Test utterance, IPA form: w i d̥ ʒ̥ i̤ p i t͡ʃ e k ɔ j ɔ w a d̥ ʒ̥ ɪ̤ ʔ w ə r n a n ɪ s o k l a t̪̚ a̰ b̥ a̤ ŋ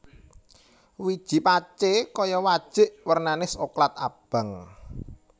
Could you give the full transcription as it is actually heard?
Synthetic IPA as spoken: w i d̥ ʒ̥ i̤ p a t͡ʃ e k ɔ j ɔ w a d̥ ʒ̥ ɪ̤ ʔ w ə r n a n ɪ s o k l a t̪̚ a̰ b̥ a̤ ŋ